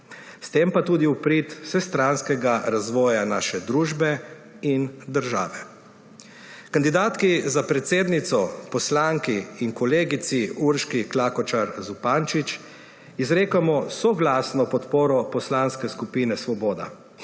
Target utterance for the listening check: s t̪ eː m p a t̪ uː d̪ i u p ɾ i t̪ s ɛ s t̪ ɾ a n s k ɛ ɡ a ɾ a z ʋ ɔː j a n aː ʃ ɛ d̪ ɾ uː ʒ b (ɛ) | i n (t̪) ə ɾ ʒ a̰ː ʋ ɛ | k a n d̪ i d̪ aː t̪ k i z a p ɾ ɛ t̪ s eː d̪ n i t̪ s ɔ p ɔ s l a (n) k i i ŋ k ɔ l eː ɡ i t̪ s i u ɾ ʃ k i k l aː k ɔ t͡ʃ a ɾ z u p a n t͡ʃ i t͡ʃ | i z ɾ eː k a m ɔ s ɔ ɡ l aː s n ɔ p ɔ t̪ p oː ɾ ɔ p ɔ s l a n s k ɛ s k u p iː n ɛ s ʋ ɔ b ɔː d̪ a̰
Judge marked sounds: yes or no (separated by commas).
yes, no, no